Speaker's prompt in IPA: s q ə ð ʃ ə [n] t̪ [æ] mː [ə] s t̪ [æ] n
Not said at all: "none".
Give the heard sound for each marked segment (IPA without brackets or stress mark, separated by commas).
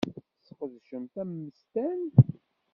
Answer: m, æ, ə, æ